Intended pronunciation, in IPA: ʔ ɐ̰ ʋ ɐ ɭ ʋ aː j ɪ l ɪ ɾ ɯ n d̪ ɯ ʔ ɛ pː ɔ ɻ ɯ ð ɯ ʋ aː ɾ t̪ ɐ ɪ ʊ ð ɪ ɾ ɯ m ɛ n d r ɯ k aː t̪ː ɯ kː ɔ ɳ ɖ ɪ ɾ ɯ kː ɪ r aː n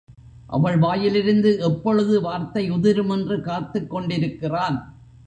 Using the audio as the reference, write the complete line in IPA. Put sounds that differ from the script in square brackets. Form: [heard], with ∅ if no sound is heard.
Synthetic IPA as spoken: ʔ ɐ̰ ʋ ɐ ɭ ʋ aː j ɪ l ɪ ɾ ɯ n d̪ ɯ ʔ ɛ pː ɔ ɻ ɯ ð ɯ ʋ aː ɾ t̪ ɐ ɪ ʊ ð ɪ ɾ ɯ m ɛ n d r ɯ k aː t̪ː ɯ kː ɔ ɳ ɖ ɪ ɾ ɯ kː ɪ r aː n

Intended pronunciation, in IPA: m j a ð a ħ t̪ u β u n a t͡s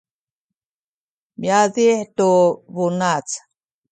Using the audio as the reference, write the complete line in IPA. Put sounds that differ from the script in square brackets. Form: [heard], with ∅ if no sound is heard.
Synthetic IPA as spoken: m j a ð [i] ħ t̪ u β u n a t͡s

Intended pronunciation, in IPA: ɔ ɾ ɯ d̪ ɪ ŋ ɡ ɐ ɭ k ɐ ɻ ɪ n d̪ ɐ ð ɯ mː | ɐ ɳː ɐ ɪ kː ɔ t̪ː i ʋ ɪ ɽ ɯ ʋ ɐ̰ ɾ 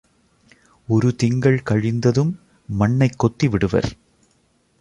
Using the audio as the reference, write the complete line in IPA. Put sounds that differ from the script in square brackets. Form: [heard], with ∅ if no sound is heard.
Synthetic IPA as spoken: ɔ ɾ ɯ [t̪] ɪ ŋ ɡ ɐ ɭ k ɐ ɻ ɪ n d̪ ɐ ð ɯ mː | ɐ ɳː ɐ ɪ kː ɔ t̪ː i ʋ ɪ ɽ ɯ ʋ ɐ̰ ɾ

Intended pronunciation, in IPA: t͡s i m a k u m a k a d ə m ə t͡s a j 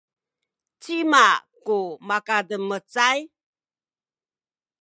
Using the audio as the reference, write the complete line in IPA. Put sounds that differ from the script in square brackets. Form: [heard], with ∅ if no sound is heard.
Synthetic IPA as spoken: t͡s i m a k u m a k a d ə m ə t͡s a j

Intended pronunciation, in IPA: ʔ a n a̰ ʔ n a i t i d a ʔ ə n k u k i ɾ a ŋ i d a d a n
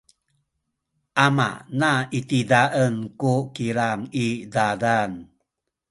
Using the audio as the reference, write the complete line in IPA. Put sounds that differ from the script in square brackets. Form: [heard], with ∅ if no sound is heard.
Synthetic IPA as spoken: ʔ a [m] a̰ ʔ n a i t i d a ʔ ə n k u k i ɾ a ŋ i d a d a n

